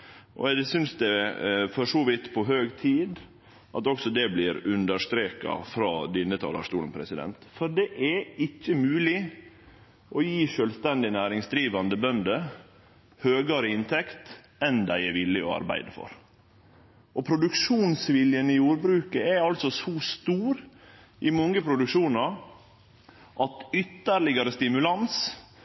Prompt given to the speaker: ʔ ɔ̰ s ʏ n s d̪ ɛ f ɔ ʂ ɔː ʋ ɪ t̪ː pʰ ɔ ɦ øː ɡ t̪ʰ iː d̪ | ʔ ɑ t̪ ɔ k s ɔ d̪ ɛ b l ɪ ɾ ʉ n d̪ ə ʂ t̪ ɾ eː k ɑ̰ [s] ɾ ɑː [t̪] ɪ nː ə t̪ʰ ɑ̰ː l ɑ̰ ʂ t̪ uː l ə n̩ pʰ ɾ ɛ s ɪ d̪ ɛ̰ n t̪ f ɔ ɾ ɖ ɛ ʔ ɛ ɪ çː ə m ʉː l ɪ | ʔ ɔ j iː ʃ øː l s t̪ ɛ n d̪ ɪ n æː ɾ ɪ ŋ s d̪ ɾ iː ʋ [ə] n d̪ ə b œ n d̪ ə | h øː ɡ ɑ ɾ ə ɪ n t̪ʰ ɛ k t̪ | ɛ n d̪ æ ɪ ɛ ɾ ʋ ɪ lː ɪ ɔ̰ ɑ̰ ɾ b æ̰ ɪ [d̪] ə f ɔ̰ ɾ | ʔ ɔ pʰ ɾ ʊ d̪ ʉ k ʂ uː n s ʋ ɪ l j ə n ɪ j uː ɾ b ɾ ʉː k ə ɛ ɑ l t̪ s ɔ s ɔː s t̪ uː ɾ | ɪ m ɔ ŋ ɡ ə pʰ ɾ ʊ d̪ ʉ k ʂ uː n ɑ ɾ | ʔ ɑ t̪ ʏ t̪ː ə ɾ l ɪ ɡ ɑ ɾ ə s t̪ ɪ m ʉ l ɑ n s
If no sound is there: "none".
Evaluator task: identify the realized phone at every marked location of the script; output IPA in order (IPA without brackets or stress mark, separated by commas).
f, d̪, ɑ, d̪